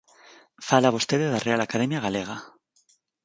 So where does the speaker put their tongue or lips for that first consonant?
lips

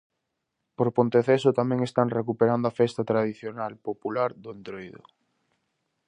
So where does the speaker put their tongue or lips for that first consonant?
lips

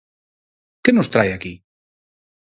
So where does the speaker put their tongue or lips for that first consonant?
velum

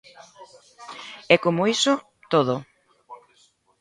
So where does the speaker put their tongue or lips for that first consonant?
velum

